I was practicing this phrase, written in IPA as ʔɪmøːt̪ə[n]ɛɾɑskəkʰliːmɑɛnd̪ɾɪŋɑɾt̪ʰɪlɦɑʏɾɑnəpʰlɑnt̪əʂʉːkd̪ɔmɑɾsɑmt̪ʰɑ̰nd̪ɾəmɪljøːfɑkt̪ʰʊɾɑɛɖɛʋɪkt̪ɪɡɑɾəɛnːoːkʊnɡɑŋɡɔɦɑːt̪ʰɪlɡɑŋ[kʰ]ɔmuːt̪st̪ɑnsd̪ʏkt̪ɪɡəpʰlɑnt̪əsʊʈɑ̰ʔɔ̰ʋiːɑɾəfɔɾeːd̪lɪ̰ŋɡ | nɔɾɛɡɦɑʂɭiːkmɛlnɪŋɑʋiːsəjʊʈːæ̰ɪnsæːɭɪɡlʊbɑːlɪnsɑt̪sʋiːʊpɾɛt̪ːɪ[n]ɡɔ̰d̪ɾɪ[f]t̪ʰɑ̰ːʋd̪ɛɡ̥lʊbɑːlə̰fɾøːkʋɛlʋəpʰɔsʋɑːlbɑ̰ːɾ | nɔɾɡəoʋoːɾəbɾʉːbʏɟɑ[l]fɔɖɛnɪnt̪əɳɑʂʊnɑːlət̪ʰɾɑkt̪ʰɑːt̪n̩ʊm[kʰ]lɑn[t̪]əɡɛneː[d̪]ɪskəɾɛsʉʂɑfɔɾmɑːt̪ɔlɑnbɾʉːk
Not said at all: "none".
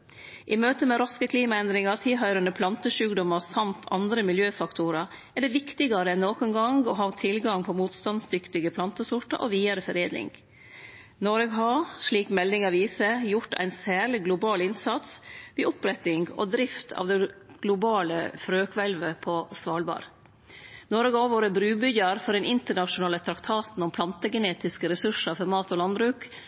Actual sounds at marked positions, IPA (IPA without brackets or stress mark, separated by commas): m, pʰ, ŋ, f, ɾ, pʰ, t̪, t̪